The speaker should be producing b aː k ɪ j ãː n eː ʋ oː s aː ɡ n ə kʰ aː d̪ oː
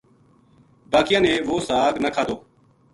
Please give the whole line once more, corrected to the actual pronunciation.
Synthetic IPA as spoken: b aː k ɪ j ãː n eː ʋ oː s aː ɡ n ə kʰ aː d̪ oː